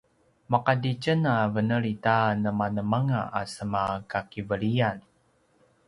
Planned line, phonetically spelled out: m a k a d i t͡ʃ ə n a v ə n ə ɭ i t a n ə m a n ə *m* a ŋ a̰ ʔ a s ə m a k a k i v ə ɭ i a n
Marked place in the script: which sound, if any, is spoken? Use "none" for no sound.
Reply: m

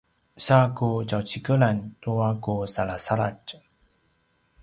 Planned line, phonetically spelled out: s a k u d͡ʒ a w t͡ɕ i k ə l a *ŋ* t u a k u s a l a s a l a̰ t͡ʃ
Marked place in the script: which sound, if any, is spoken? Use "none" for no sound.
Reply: n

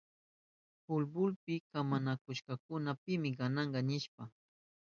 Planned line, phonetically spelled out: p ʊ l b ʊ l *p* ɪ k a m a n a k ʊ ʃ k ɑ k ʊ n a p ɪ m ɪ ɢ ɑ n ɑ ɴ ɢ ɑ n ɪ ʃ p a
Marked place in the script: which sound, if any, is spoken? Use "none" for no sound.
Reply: p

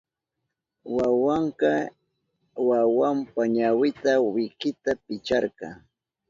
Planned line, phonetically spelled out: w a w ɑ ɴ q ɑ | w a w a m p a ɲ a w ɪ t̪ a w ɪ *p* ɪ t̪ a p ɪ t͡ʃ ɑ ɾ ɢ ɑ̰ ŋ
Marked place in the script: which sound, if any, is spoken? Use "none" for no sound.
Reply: k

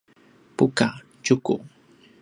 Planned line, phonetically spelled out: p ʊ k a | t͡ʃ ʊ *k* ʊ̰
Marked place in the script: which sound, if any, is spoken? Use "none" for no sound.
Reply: k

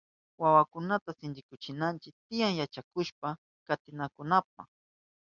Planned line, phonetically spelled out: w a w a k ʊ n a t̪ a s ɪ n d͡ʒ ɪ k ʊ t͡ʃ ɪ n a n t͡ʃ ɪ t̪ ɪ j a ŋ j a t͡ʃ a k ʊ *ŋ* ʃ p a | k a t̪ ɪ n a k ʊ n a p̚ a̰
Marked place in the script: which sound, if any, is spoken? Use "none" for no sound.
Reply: none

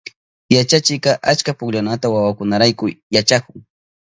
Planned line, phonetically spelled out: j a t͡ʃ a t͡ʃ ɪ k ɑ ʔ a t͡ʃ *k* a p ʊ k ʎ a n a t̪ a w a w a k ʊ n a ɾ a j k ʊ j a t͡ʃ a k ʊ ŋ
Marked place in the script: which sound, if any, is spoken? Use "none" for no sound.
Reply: k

